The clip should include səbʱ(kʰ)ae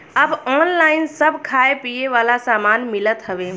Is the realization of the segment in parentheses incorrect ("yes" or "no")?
no